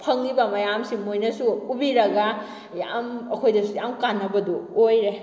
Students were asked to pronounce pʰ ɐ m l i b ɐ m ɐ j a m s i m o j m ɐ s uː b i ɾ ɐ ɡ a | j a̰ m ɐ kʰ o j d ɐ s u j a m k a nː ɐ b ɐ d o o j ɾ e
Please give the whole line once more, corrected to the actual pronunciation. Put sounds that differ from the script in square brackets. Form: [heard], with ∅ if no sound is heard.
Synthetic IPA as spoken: pʰ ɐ [ŋ] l i b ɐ m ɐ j a m s i m o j [n] ɐ s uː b i ɾ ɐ ɡ a | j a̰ m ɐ kʰ o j d ɐ s u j a m k a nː ɐ b ɐ d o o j ɾ e